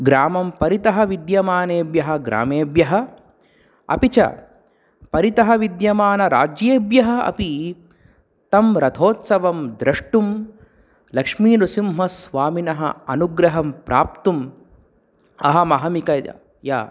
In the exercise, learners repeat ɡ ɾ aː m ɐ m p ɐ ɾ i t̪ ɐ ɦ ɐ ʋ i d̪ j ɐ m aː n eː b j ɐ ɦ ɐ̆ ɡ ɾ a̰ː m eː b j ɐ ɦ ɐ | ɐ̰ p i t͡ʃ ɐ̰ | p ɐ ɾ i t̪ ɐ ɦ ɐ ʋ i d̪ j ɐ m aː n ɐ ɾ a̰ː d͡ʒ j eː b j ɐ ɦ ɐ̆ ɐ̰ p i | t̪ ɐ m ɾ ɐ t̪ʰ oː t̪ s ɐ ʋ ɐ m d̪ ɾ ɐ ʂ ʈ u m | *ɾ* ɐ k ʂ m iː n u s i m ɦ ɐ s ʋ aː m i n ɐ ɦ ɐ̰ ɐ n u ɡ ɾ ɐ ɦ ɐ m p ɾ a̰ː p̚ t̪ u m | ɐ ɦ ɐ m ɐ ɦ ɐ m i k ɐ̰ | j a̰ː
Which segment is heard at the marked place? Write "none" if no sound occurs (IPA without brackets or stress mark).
l